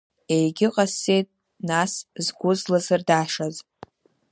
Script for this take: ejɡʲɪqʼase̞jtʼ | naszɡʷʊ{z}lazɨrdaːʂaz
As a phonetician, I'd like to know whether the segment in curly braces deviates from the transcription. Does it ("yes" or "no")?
no